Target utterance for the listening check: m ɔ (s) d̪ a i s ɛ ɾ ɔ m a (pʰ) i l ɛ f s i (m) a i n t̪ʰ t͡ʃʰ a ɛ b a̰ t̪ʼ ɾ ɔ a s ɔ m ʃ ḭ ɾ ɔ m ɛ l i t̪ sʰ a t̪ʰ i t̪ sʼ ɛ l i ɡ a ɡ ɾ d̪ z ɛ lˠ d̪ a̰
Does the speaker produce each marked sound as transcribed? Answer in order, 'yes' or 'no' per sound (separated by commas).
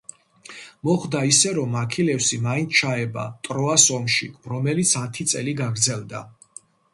no, no, yes